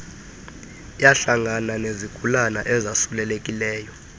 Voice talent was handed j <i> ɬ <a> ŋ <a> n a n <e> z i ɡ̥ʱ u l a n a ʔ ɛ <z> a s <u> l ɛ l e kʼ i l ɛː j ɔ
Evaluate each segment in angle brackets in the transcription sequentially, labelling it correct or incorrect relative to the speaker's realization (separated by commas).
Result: incorrect, correct, correct, correct, correct, correct